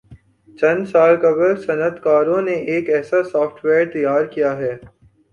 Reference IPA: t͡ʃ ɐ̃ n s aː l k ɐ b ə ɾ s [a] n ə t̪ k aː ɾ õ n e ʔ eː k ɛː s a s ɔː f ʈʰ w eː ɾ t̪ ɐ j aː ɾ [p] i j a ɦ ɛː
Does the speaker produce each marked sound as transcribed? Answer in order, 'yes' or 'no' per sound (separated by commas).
no, no